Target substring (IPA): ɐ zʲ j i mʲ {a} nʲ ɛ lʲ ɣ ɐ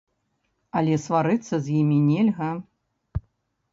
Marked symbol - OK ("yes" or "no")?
no